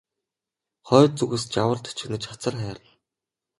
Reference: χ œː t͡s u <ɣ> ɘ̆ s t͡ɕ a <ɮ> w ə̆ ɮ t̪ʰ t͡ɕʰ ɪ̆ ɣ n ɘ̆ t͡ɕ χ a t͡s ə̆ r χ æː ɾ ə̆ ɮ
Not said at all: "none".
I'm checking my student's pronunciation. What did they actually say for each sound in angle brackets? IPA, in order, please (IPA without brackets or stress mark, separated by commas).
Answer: ɣ, none